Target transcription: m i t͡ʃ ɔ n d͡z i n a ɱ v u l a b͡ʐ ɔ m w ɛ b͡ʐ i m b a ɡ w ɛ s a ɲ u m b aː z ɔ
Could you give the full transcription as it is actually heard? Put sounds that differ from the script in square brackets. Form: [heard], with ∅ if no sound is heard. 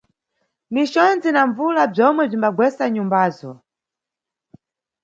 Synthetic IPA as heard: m i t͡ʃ ɔ n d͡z i n a ɱ v u l a b͡ʐ ɔ m w ɛ b͡ʐ i m b a ɡ w ɛ s a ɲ u m b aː z ɔ

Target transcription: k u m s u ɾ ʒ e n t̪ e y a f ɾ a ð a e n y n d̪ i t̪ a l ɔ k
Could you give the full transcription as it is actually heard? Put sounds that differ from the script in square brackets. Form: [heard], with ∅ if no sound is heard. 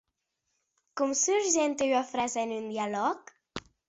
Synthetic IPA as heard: k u m s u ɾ ʒ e n t̪ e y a f ɾ a [z] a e n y n d̪ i [∅] a l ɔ k

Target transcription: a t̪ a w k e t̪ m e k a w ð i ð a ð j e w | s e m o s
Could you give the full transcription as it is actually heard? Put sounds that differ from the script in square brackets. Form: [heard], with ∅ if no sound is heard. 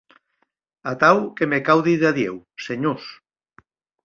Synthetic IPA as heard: a t̪ a w k e [∅] m e k a w ð i ð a ð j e w | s e [ɲ] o s

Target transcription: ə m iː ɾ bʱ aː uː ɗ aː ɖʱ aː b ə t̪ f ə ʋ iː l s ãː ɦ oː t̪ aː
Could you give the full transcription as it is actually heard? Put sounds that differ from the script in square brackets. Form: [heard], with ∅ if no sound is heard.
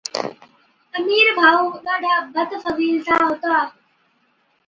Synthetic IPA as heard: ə m iː ɾ bʱ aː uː ɗ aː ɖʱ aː b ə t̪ f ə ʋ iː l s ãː ɦ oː t̪ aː

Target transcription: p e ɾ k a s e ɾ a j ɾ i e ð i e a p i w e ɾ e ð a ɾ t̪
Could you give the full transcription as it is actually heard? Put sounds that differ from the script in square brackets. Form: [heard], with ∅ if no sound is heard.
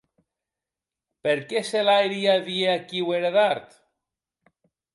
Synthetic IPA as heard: p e ɾ k [e] s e [l] a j ɾ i [a] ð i e a [k] i w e ɾ e ð a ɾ t̪

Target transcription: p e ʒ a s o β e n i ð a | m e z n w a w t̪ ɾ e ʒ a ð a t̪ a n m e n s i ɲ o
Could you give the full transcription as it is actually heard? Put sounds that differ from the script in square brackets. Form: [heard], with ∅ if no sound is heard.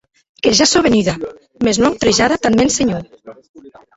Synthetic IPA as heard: [k] e ʒ a s o β e n i ð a | m e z n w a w t̪ ɾ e ʒ a ð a t̪ a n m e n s [e] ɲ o

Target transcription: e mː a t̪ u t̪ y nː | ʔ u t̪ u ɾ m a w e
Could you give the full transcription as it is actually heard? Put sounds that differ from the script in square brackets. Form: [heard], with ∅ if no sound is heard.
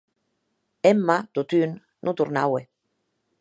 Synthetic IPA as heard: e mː a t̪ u t̪ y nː | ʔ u t̪ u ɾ [n] a w e

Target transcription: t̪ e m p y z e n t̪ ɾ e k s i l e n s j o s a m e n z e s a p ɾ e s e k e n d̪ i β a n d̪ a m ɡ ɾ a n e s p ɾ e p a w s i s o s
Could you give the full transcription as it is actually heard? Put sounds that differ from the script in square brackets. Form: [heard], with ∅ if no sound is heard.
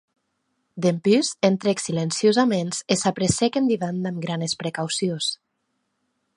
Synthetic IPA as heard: [d̪] e m p y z e n t̪ ɾ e k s i l e n s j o [z] a m e n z e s a p ɾ e s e k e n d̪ i β a n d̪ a m ɡ ɾ a n e s p ɾ e [k] a w s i [∅] o s

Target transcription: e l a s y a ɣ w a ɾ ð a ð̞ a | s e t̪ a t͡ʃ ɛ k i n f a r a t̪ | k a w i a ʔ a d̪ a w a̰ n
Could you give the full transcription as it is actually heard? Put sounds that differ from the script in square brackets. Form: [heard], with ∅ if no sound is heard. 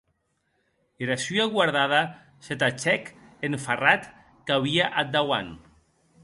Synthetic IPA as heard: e [ɾ] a s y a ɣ w a ɾ ð a ð̞ a | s e t̪ a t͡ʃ ɛ k [e] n f a r a t̪ | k a [β] i a ʔ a d̪ a w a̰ n

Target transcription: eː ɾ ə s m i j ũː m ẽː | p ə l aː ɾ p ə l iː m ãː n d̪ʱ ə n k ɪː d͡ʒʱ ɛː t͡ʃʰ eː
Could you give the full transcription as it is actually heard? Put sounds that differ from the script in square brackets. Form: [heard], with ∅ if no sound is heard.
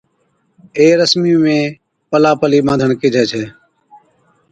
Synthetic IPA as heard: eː ɾ ə s m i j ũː m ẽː | p ə l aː [∅] p ə l iː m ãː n d̪ʱ ə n k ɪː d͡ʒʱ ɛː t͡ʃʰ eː

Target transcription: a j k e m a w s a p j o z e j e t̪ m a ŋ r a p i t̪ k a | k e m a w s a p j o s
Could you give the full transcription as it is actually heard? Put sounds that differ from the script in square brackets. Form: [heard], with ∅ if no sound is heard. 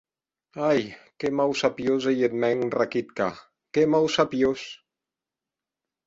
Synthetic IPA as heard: a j k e m a w s a p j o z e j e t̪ m [ɛ] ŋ r a [k] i t̪ k a | k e m a w s a p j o s

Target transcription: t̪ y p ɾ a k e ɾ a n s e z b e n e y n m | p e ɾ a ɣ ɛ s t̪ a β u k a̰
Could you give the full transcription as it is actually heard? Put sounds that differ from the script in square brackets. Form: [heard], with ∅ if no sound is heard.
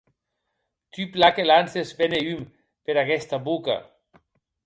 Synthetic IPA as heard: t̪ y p [l] a k e [l] a n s e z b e n e y [∅] m | p e ɾ a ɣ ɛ s t̪ a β u k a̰

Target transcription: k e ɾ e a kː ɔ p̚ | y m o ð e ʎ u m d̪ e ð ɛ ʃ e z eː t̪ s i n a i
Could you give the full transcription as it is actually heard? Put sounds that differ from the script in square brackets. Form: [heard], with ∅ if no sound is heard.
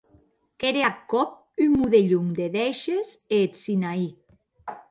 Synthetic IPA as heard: k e ɾ e a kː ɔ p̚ | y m [u] ð e ʎ u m d̪ e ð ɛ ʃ e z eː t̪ s i n a i

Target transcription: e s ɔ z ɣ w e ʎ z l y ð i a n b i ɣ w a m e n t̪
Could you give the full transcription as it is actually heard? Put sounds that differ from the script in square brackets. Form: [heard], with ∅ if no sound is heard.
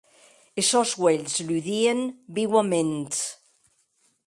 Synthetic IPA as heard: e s ɔ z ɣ w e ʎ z l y ð i [e] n b i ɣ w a m e n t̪

